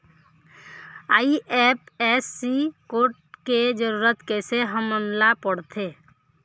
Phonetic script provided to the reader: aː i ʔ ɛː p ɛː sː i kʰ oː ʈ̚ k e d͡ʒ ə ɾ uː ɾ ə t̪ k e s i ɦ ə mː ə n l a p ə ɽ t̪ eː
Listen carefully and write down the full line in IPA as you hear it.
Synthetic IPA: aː i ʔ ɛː p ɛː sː i k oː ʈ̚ k e d͡ʒ ə ɾ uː ɾ ə t̪ k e s e ɦ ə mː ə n l a p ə ɽ t̪ʰ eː